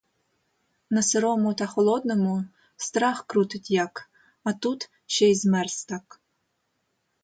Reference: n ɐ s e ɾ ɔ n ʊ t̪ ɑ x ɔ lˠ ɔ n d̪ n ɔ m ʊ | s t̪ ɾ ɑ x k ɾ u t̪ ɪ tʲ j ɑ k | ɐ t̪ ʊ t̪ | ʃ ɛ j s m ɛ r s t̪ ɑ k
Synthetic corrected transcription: n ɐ s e ɾ ɔ m ʊ t̪ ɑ x ɔ lˠ ɔ d̪ n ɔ m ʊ | s t̪ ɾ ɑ x k ɾ u t̪ ɪ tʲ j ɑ k | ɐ t̪ u t̪ | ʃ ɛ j z m ɛ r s t̪ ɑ k